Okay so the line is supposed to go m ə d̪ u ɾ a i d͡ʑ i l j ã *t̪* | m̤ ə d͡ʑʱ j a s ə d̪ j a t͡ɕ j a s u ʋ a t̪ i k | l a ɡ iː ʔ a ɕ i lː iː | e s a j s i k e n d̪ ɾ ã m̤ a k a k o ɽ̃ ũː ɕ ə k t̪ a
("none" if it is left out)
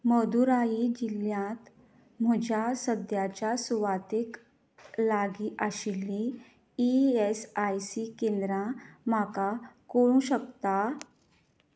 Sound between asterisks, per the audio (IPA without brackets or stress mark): t̪